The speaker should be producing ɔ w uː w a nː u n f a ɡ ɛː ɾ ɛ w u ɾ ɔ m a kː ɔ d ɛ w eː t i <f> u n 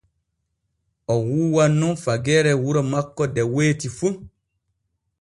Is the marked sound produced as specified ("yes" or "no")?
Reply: yes